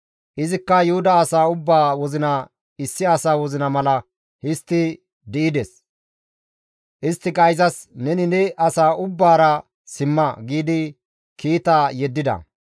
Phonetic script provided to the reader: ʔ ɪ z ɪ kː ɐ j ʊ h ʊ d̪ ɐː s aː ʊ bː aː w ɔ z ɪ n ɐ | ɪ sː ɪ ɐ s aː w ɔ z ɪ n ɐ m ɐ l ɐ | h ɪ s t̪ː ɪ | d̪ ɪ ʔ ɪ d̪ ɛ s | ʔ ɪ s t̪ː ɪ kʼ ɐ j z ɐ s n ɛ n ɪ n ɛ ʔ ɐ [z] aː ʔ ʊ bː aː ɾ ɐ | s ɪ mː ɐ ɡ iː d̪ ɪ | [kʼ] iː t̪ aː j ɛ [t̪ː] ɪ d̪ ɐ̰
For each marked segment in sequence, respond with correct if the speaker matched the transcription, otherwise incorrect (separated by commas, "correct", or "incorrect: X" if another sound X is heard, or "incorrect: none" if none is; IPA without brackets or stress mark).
incorrect: s, incorrect: k, incorrect: d̪ː